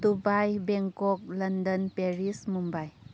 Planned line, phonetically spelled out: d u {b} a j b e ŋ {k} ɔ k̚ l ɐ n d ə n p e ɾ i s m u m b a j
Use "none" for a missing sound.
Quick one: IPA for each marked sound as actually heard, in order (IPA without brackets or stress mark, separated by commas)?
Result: b, k